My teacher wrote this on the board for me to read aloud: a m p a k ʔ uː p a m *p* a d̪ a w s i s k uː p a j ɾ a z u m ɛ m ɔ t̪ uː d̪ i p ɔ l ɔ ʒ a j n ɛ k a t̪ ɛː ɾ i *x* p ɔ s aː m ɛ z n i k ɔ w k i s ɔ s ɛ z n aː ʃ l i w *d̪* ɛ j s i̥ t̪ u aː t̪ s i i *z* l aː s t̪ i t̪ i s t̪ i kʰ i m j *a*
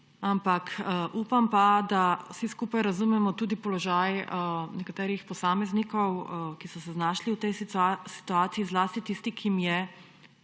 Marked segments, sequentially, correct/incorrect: correct, correct, incorrect, correct, incorrect

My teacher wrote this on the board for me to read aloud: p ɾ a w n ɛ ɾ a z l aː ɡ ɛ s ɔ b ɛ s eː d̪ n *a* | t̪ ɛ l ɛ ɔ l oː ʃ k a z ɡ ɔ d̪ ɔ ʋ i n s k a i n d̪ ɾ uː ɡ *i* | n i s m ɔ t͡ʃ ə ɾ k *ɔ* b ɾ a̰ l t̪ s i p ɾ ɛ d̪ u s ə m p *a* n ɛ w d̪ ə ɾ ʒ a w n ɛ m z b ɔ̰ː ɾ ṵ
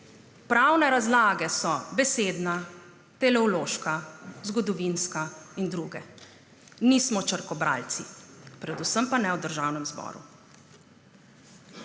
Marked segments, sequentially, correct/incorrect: correct, incorrect, correct, correct

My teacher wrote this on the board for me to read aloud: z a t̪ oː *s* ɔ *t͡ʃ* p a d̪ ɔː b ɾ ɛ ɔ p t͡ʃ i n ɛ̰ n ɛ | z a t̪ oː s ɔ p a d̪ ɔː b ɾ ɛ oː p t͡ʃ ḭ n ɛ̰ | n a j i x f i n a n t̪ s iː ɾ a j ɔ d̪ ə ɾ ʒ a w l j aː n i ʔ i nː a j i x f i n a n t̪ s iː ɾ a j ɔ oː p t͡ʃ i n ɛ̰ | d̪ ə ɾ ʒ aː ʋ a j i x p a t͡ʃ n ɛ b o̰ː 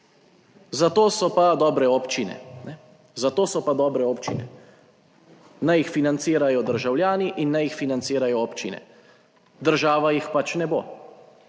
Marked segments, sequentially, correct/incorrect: correct, incorrect

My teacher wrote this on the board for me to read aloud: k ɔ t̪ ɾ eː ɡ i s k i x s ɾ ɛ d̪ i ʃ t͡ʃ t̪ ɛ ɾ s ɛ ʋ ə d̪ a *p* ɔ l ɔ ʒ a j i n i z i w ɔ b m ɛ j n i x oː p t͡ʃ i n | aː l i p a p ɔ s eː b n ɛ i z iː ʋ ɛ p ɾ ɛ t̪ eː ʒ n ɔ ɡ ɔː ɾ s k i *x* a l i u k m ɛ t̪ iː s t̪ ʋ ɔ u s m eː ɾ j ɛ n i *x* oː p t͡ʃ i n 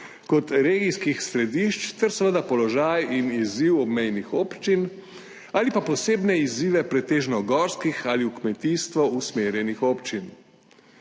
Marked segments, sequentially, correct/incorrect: correct, correct, correct

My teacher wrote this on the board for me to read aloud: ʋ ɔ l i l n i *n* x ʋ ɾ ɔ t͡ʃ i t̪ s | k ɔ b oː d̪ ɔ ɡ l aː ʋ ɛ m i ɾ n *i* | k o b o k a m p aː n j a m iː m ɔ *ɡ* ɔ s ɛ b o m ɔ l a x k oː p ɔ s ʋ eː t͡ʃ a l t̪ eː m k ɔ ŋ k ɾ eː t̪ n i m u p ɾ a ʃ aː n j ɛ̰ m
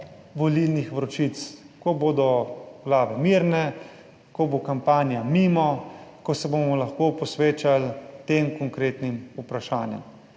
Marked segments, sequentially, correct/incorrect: incorrect, incorrect, incorrect

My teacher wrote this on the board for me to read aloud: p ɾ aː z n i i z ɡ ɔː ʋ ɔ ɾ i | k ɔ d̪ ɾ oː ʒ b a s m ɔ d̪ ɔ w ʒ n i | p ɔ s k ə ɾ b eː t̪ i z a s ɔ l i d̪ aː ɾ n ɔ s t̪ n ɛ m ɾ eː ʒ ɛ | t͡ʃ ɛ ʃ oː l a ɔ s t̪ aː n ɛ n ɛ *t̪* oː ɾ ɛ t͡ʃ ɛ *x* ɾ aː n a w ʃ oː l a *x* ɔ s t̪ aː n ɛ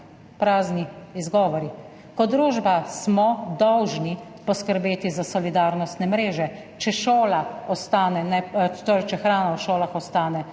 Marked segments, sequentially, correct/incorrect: correct, correct, correct

